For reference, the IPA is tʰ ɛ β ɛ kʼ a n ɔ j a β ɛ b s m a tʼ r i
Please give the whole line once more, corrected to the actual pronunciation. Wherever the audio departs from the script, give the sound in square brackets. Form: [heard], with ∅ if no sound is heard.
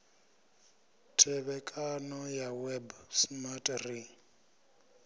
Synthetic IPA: tʰ ɛ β ɛ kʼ a n ɔ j a [w] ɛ b s m a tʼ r i